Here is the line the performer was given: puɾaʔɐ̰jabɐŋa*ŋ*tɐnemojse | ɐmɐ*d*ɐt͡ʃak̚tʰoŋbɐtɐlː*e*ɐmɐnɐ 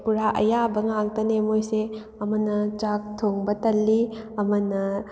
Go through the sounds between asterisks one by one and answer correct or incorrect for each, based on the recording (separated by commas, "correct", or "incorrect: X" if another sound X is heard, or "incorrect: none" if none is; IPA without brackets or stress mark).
correct, incorrect: n, incorrect: i